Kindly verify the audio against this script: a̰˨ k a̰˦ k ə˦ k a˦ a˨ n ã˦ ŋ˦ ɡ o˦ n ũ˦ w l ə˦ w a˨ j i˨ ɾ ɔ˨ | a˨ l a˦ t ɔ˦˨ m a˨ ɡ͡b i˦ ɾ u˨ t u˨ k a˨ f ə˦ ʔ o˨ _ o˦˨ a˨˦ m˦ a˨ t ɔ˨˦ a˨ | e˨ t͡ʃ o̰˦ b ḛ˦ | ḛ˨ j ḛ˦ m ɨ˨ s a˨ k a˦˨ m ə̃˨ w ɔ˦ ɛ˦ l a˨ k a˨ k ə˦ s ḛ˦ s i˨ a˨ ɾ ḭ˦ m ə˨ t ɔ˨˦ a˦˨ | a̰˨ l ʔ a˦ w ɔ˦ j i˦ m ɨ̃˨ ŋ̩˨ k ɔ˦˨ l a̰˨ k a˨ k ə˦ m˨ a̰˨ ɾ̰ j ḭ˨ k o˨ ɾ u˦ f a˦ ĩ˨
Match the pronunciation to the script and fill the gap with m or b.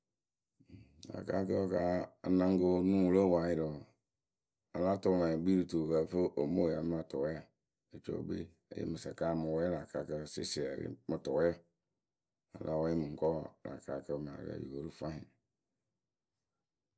m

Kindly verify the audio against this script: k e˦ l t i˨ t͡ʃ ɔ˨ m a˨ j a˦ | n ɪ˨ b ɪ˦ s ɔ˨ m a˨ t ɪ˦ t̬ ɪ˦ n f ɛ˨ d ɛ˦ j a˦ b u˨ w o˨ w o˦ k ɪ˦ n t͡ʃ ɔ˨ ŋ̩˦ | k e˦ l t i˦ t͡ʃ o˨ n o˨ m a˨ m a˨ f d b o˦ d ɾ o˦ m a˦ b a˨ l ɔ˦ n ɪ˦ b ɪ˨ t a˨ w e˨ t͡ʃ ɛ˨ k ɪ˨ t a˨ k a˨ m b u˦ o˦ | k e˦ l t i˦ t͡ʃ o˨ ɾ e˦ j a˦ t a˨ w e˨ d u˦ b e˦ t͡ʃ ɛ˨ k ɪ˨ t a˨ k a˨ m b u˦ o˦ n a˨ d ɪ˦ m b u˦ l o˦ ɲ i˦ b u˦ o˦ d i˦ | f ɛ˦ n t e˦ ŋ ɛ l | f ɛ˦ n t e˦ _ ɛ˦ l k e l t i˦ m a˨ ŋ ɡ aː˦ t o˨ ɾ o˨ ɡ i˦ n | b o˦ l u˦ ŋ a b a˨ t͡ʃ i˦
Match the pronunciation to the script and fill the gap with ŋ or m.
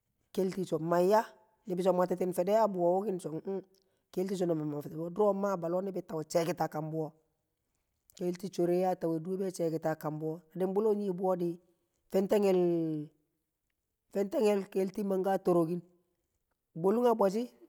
ŋ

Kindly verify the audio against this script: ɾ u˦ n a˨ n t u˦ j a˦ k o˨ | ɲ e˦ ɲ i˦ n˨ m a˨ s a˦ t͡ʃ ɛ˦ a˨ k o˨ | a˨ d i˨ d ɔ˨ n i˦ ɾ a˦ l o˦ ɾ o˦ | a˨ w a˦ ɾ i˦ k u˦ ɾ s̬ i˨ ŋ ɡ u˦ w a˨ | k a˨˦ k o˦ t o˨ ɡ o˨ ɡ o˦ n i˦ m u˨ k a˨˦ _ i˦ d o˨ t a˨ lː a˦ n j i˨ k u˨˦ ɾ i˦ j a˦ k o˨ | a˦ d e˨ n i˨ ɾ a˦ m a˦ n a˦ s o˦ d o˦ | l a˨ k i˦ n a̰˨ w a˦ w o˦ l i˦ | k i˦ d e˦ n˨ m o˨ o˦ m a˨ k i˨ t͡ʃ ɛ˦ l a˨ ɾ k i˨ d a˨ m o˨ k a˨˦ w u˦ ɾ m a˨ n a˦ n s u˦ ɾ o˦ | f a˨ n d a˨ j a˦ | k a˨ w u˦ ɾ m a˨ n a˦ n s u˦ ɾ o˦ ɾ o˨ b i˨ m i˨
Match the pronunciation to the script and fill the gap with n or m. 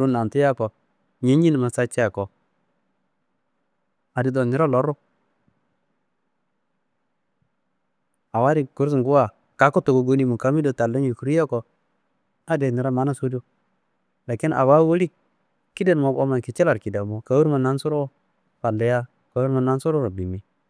m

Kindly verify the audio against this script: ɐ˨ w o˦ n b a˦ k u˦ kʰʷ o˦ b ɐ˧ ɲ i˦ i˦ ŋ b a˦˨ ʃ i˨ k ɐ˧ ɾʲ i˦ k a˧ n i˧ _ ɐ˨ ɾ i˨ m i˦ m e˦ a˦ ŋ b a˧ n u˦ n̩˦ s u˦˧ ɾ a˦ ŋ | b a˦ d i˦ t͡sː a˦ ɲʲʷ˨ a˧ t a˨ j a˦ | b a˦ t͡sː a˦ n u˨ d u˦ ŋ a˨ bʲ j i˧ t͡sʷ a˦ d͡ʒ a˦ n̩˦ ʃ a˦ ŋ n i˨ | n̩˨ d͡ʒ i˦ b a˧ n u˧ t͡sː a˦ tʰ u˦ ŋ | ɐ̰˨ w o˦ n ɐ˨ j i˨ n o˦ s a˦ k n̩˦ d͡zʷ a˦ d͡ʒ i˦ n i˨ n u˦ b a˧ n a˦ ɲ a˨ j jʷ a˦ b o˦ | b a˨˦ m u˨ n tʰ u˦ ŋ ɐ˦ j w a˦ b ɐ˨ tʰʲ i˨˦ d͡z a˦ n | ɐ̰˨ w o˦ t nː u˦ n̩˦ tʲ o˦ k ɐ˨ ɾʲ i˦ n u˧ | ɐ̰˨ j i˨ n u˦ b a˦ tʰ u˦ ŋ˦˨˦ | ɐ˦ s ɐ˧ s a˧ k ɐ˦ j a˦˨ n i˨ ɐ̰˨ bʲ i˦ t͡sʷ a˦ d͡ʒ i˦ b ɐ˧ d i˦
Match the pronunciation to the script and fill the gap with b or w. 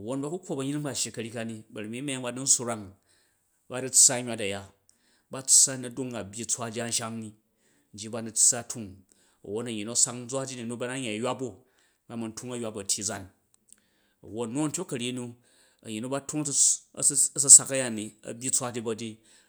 b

